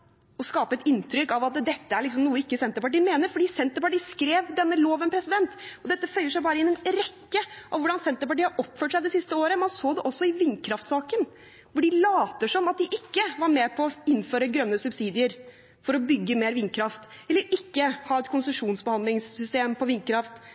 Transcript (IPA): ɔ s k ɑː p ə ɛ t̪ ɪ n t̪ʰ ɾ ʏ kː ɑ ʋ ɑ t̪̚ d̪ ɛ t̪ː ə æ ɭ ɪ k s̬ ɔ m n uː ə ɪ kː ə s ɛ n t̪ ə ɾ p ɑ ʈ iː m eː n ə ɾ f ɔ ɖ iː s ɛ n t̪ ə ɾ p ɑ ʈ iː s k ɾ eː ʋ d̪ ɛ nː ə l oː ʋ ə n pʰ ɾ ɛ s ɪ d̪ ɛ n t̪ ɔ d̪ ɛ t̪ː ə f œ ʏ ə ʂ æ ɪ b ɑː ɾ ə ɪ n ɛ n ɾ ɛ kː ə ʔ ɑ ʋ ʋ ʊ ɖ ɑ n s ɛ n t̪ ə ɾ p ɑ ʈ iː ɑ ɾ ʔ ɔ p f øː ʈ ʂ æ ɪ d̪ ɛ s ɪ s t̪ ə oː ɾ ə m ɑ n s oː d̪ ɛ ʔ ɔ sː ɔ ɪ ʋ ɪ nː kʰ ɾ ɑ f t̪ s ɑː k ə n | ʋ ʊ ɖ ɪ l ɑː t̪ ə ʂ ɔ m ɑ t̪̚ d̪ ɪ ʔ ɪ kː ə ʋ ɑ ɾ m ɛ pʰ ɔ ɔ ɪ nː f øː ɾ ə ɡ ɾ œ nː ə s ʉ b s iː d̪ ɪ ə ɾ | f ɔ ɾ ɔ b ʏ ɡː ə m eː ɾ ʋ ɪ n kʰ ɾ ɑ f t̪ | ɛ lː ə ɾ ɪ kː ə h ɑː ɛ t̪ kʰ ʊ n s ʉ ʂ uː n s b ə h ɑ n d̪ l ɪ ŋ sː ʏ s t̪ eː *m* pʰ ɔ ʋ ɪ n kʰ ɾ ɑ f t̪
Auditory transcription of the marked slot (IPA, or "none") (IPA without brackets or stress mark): m